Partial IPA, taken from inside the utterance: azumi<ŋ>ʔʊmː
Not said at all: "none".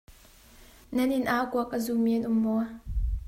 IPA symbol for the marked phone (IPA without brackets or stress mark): n